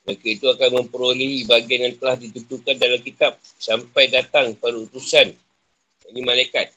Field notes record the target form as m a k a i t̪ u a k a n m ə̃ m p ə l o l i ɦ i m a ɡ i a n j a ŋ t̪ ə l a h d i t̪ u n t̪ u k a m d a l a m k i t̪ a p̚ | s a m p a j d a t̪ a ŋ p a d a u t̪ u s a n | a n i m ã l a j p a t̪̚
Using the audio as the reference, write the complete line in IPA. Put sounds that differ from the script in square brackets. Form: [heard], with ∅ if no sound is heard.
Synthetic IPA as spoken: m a k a i t̪ u a k a n m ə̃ m p ə [ɾ] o l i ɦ i [b] a ɡ i a n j a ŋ t̪ ə l a h d i t̪ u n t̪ u k a [n] d a l a m k i t̪ a p̚ | s a m p a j d a t̪ a ŋ p a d a u t̪ u s a n | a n i m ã l a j [k] a t̪̚